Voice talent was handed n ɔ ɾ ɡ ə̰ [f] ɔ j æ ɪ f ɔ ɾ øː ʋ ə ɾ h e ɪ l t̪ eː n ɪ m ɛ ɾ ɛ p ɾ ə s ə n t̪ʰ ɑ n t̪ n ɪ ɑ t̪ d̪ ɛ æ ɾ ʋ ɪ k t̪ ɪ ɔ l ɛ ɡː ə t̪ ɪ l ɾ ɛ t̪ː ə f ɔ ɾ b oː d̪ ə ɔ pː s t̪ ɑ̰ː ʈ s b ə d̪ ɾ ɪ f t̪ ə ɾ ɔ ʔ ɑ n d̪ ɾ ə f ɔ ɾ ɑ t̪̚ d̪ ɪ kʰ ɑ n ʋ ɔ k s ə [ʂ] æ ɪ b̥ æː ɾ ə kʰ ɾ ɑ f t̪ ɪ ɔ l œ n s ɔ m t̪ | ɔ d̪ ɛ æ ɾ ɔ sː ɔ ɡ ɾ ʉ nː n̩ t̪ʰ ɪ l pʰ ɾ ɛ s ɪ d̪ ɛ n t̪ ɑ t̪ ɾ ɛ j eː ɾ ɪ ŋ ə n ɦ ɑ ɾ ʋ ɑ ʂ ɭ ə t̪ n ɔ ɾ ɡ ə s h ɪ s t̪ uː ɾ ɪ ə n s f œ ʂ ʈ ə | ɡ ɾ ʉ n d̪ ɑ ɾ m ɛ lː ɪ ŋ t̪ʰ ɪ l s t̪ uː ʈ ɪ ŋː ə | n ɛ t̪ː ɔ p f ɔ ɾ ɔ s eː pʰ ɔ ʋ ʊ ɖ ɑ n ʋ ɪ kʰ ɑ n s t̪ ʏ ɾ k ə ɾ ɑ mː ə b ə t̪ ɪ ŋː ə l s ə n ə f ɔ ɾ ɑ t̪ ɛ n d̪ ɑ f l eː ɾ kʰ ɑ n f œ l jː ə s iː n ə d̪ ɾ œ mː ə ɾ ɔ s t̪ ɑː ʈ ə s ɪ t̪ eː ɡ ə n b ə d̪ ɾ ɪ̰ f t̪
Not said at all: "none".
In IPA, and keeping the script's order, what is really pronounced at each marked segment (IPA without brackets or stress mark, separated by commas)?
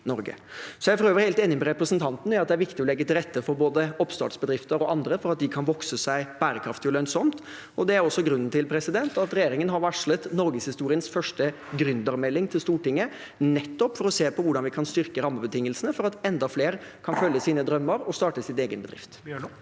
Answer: s, s